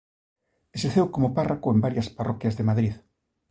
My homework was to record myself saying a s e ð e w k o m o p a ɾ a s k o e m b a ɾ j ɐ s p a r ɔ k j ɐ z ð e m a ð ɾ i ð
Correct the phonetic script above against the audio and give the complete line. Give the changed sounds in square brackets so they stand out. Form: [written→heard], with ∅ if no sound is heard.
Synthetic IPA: [a→e] s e [ð→θ] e w k o m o p a [ɾ→r] a [s→∅] k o e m b a ɾ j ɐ s p a r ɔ k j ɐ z ð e m a ð ɾ i ð